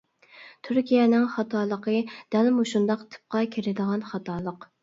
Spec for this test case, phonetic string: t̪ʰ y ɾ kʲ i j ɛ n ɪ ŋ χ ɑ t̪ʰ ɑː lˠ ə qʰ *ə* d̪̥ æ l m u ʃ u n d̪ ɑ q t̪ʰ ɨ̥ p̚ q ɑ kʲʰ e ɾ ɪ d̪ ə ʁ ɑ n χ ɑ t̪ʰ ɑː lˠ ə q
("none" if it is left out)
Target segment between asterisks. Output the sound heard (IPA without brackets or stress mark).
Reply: ə